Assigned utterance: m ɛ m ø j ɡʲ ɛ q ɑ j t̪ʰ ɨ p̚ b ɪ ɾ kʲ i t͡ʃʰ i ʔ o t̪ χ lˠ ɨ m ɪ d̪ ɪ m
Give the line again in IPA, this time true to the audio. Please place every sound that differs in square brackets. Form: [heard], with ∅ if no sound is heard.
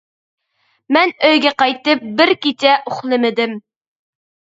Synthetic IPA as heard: m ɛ [n] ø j ɡʲ ɛ q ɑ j [t̪] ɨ p̚ b ɪ ɾ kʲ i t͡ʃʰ [ɛ] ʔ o [∅] χ lˠ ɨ m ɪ d̪ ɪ m